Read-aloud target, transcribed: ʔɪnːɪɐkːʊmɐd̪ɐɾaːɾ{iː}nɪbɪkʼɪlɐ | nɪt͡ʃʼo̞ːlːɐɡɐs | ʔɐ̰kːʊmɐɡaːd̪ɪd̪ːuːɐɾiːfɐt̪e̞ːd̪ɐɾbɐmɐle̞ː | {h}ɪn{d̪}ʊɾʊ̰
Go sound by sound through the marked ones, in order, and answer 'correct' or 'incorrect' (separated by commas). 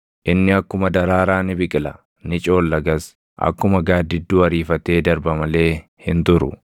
incorrect, correct, incorrect